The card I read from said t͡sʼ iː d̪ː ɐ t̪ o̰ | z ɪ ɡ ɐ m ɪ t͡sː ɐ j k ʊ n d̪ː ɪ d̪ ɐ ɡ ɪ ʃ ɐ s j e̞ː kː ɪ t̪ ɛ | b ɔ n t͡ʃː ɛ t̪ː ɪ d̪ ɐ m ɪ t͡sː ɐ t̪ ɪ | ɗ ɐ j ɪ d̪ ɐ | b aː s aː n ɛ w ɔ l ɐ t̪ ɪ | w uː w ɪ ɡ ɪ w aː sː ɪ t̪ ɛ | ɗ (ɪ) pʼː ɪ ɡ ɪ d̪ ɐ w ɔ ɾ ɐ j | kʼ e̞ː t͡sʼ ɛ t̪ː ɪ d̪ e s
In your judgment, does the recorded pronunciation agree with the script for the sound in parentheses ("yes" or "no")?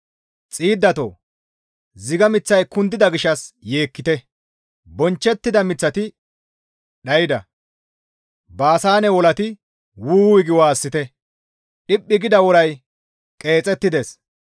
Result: yes